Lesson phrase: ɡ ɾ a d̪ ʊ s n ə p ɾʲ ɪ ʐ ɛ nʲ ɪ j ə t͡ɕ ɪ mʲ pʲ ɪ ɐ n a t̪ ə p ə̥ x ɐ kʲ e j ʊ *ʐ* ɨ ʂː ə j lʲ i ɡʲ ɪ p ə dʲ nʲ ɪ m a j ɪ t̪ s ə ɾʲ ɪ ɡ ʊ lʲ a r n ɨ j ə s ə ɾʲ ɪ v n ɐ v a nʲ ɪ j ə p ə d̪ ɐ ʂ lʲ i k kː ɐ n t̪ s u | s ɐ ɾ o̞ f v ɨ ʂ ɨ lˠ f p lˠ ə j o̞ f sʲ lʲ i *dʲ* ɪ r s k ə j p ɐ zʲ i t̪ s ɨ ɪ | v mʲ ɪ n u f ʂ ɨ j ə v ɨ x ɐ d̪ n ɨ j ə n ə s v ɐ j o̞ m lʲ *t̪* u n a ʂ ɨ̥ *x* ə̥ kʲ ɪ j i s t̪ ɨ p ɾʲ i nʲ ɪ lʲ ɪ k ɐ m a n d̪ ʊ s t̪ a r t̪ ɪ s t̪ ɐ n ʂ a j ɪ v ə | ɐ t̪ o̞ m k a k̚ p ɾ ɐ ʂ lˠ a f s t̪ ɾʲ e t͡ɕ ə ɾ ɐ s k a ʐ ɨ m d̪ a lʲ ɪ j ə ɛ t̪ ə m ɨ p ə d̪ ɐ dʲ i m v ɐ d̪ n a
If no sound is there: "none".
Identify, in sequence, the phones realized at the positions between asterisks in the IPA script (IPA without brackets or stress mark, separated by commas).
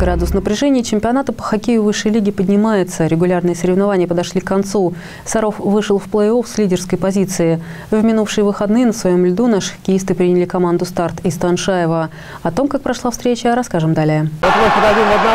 v, dʲ, d̪, x